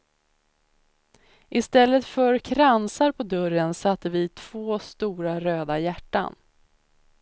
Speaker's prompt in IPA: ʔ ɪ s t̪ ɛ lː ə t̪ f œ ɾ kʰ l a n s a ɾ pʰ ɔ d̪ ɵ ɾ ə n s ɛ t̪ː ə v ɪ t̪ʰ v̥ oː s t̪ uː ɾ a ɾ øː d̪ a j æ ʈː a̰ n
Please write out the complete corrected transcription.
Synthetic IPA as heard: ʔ ɪ s t̪ ɛ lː ə t̪ f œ ɾ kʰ ɾ a n s a ɾ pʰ ɔ d̪ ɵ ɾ ə n s a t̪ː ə v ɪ t̪ʰ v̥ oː s t̪ uː ɾ a ɾ øː d̪ a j æ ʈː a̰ n